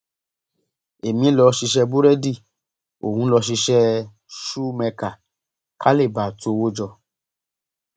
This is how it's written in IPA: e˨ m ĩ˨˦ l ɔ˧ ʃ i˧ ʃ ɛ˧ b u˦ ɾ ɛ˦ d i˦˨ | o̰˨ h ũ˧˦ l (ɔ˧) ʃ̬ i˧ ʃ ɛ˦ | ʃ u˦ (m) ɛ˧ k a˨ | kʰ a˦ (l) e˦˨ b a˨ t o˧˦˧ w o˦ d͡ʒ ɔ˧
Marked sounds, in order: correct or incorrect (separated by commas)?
correct, correct, correct